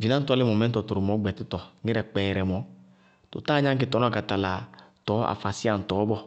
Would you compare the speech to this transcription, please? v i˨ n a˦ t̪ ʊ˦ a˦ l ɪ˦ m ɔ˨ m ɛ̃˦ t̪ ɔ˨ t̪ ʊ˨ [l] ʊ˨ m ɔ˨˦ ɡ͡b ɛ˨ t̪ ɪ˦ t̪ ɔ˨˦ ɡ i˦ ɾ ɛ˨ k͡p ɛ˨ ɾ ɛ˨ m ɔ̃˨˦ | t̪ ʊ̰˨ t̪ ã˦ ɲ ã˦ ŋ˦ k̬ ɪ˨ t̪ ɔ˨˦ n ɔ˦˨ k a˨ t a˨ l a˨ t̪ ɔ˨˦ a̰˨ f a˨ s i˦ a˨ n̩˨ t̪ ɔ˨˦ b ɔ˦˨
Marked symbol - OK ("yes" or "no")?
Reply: no